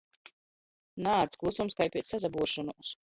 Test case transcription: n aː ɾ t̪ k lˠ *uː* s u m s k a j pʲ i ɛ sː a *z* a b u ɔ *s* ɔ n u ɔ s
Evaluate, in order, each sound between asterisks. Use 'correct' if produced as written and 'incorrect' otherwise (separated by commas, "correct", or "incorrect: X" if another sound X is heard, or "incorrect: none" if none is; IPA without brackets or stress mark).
incorrect: u, correct, incorrect: ʃ